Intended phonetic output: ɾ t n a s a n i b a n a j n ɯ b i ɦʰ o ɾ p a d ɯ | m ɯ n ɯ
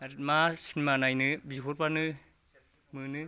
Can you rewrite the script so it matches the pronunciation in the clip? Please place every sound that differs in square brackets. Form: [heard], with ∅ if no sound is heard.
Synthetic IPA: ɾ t [m] a s [i] n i [m] a n a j n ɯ b i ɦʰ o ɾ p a [n] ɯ | m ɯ n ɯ